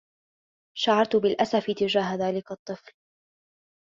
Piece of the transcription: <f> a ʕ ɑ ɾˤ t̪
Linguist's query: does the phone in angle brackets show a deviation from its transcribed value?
yes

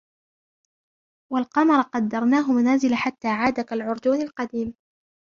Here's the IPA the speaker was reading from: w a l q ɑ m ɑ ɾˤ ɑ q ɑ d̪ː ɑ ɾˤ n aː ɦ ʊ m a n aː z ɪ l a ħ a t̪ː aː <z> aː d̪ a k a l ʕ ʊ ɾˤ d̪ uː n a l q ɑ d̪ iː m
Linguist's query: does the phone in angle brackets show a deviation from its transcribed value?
yes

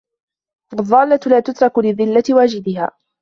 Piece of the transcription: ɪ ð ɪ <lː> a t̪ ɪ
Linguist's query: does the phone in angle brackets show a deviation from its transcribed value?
no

